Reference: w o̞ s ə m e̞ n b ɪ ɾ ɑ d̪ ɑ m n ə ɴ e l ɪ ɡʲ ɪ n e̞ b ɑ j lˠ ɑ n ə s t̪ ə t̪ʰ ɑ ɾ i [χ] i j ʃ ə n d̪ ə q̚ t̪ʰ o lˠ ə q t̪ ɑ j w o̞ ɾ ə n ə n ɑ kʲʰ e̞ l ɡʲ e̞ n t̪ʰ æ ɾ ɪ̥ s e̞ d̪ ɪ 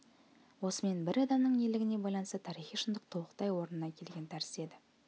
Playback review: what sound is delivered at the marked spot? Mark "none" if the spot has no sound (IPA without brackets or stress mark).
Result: χ